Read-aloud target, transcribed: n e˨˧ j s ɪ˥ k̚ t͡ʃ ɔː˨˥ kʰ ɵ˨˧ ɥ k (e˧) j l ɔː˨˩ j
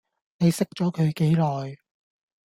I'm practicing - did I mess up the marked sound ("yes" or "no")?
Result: yes